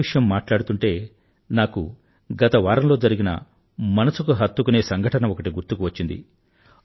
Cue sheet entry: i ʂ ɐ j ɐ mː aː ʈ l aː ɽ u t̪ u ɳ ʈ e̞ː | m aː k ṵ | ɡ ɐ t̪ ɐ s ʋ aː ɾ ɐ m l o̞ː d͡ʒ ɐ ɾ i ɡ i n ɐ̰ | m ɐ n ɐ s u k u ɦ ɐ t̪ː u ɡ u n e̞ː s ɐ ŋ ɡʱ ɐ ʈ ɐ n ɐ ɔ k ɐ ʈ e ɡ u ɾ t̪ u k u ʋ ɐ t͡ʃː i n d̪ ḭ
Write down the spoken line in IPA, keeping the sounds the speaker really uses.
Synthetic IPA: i ʂ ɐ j ɐ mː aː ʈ l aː ɽ u t̪ u ɳ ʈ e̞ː | n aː k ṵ | ɡ ɐ t̪ ɐ ʋ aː ɾ ɐ m l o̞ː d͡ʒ ɐ ɾ i ɡ i n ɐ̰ | m ɐ n ɐ s u k u ɦ ɐ t̪ː u k u n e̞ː s ɐ ŋ ɡʱ ɐ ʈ ɐ n ɐ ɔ k ɐ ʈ i ɡ u ɾ t̪ u k u ʋ ɐ t͡ʃː i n d̪ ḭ

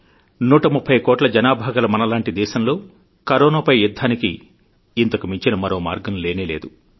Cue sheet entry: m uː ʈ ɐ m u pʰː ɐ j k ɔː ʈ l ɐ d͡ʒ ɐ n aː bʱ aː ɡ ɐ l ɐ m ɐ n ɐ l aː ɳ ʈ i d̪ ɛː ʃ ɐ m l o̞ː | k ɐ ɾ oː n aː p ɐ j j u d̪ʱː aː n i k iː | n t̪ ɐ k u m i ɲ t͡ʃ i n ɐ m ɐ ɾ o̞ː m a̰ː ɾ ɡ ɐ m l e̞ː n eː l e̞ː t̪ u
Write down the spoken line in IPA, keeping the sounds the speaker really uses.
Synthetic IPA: n uː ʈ ɐ m u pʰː ɐ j k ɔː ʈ l ɐ d͡ʒ ɐ n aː bʱ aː ɡ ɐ l ɐ m ɐ n ɐ l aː ɳ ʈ i d̪ ɛː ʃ ɐ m l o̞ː | k ɐ ɾ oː n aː p ɐ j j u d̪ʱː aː n i k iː | n t̪ ɐ k u m i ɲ t͡ʃ i n ɐ m ɐ ɾ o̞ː m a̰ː ɾ ɡ ɐ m l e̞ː n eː l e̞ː d̪ u

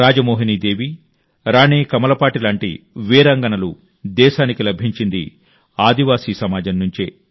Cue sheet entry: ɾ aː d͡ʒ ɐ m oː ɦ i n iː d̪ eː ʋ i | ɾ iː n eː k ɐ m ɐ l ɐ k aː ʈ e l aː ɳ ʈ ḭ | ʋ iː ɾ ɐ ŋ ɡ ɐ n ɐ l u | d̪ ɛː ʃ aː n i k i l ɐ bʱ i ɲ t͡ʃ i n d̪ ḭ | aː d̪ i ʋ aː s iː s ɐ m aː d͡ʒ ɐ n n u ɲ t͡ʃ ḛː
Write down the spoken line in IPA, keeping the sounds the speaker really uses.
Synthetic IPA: ɾ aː d͡ʒ ɐ m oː ɦ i n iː d̪ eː ʋ i | ɾ aː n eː k ɐ m ɐ l ɐ p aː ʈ i l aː ɳ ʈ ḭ | ʋ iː ɾ ɐ ŋ ɡ ɐ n ɐ l u | d̪ ɛː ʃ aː n i k i l ɐ bʱ i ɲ t͡ʃ i n d̪ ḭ | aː d̪ i ʋ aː s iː s ɐ m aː d͡ʒ ɐ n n u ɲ t͡ʃ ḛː

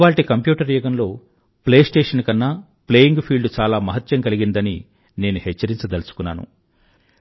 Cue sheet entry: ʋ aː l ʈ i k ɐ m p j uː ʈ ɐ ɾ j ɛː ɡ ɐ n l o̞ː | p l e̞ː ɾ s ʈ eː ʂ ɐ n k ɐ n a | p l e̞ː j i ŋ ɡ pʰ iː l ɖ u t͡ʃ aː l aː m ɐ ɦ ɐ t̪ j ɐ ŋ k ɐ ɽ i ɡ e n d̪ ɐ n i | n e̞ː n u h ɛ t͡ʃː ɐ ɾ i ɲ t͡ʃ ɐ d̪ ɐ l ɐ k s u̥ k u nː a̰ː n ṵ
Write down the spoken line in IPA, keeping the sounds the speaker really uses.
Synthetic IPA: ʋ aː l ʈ i k ɐ m p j uː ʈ ɐ ɾ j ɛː ɡ ɐ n l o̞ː | p l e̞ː s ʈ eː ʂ ɐ n k ɐ nː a | p l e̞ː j i ŋ ɡ pʰ iː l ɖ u t͡ʃ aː l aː m ɐ ɦ ɐ t̪ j ɐ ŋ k ɐ l i ɡ i n d̪ ɐ n i | n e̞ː n u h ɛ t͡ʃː ɐ ɾ i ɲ t͡ʃ ɐ d̪ ɐ l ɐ s u̥ k u nː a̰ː n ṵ

